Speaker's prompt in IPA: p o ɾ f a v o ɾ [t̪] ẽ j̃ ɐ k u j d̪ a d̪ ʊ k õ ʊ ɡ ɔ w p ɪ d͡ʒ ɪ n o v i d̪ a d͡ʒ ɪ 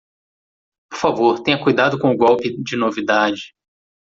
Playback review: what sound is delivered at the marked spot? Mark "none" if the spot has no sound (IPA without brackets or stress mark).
t̪